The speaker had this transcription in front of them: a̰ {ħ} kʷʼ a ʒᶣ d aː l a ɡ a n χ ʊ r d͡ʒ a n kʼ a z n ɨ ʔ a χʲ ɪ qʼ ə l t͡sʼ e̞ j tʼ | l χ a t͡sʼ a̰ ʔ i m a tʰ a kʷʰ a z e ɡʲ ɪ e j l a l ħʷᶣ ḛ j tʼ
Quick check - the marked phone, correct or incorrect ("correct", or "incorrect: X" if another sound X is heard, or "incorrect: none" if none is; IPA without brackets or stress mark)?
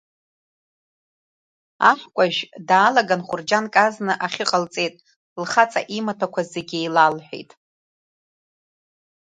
correct